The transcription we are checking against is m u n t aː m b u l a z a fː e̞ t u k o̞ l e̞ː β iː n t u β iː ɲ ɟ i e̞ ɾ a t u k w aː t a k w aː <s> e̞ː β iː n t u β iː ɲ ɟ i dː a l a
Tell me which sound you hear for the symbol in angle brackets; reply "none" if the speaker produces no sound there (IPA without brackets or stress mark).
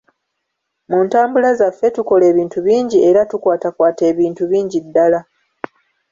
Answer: t